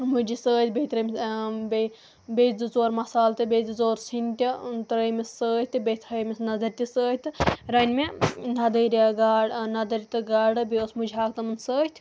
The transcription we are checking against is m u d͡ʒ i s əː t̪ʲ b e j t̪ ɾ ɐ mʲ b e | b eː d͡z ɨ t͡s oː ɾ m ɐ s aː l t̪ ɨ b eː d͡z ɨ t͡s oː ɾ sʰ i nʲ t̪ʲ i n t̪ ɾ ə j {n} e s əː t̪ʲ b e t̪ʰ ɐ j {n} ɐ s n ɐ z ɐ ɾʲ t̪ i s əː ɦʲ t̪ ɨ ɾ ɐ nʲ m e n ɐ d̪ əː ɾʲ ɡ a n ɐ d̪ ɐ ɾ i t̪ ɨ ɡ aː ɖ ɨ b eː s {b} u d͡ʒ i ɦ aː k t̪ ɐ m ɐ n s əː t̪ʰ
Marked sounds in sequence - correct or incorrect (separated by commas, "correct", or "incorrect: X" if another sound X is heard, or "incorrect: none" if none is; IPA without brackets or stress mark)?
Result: incorrect: m, incorrect: m, incorrect: m